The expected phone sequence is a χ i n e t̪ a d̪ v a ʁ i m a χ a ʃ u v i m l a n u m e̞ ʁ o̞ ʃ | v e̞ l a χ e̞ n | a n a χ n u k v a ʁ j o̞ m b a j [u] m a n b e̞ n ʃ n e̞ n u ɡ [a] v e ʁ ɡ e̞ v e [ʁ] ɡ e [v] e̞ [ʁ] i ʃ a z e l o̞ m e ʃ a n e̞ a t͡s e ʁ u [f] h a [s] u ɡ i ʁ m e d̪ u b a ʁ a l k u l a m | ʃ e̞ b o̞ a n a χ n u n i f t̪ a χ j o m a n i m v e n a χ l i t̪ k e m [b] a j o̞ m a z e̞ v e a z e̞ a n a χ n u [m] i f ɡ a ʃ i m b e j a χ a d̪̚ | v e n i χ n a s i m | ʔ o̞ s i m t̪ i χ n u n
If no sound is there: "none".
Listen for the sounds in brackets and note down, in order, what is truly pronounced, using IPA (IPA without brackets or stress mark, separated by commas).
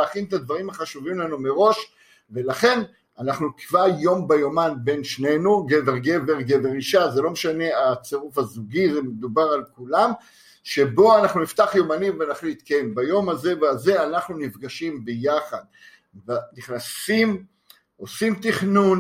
o, e, ʁ, v, ʁ, f, z, b, n